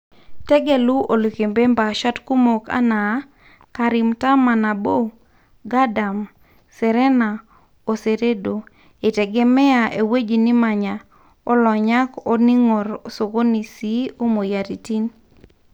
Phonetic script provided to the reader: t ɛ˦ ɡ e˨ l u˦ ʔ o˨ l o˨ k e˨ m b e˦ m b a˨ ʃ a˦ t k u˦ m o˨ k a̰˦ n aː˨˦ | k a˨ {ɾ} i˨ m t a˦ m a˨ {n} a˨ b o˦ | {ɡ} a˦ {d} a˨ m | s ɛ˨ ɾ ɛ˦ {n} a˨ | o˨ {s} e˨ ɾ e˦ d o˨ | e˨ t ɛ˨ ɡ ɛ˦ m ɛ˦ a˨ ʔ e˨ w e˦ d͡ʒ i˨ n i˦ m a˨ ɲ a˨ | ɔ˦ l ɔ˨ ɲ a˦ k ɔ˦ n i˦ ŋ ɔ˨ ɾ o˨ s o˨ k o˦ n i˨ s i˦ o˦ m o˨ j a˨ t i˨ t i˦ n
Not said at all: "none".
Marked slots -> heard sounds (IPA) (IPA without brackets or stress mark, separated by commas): ɾ, n, ɡ, d, n, s